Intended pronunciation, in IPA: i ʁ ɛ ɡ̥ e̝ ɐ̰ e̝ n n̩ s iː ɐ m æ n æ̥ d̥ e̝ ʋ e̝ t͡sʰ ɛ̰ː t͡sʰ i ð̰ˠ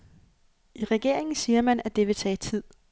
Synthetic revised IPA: i ʁ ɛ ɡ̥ e̝ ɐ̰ e̝ ŋ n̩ s iː ɐ m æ n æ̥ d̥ e̝ ʋ e̝ t͡sʰ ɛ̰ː t͡sʰ i ð̰ˠ